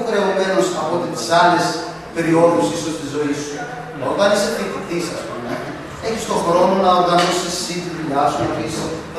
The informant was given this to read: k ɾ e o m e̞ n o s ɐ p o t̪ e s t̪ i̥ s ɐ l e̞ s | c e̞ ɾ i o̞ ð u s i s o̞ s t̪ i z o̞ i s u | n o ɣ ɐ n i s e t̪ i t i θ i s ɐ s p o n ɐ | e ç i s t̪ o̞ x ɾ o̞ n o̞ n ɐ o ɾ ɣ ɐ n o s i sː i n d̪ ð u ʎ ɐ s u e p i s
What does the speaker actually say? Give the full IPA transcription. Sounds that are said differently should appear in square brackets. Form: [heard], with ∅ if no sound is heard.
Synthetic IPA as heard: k ɾ e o m e̞ n o s ɐ p o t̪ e [∅] t̪ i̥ s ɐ l e̞ s | [p] e̞ ɾ i o̞ ð u s i s o̞ s t̪ i z o̞ i s u | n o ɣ ɐ n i s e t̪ i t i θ i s ɐ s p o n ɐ | e ç i s t̪ o̞ x ɾ o̞ n o̞ n ɐ o ɾ ɣ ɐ n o s i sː i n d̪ ð u ʎ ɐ s u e p i s